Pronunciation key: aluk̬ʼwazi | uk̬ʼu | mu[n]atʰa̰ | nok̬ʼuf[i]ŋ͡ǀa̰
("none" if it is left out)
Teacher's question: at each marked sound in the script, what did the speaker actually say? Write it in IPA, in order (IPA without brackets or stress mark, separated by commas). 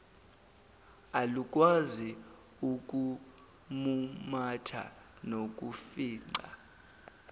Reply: m, iː